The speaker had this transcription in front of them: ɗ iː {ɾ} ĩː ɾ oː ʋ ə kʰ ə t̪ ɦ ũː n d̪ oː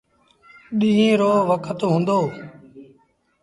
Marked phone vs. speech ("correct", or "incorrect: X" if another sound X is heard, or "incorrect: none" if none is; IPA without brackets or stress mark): incorrect: none